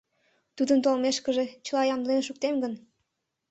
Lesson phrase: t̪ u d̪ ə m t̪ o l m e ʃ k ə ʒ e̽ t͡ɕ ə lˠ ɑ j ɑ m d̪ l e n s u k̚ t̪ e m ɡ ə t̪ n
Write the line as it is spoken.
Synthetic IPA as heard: t̪ u d̪ ə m t̪ o l m e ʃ k ə ʒ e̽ t͡ɕ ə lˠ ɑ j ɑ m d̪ l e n ʃ u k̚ t̪ e m ɡ ə n